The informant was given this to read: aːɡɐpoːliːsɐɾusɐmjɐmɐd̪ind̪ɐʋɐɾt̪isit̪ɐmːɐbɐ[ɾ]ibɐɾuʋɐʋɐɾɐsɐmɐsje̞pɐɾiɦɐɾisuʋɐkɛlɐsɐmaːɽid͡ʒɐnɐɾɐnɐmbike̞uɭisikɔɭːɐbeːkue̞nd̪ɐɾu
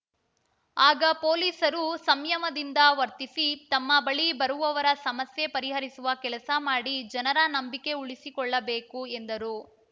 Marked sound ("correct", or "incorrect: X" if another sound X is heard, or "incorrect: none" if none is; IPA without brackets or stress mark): incorrect: ɭ